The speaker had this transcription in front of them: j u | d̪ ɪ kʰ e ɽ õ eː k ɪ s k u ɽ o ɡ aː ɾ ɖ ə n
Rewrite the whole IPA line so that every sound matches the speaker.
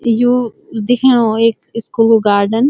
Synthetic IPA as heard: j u | d̪ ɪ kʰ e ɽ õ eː k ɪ s k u l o ɡ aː ɾ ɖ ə n